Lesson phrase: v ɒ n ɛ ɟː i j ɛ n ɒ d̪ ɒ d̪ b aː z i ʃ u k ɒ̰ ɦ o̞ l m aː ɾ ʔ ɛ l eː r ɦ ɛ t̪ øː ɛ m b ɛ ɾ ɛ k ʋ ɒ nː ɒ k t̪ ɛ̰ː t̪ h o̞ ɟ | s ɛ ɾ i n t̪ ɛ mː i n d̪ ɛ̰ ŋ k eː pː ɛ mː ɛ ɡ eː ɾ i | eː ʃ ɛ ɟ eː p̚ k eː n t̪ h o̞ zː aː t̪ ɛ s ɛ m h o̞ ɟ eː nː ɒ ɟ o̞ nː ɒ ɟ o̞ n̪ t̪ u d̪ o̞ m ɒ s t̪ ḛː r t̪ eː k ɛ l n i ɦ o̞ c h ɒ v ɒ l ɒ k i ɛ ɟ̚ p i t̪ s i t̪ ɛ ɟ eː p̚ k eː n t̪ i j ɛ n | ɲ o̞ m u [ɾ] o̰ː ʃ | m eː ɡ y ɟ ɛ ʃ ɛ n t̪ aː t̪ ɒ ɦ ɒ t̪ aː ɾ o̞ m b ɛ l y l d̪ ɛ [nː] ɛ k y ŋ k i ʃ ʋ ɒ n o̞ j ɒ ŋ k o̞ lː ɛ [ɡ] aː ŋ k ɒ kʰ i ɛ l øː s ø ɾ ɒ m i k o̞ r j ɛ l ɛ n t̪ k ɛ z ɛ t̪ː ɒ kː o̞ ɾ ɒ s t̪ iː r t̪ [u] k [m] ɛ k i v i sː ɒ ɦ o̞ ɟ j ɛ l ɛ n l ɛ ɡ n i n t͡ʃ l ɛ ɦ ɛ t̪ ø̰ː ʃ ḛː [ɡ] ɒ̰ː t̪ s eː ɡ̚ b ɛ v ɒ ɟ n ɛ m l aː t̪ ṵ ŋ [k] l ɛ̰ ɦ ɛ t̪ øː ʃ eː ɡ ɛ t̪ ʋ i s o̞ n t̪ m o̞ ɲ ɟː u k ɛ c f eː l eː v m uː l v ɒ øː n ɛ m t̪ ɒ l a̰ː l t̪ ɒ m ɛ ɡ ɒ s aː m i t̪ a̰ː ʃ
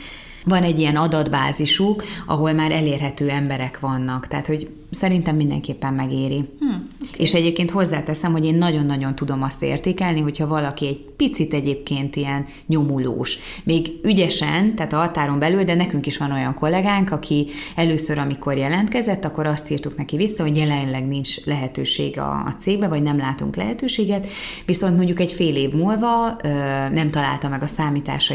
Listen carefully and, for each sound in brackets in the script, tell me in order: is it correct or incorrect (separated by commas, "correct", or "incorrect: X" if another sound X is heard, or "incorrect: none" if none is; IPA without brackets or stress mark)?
incorrect: l, incorrect: n, correct, correct, incorrect: n, correct, correct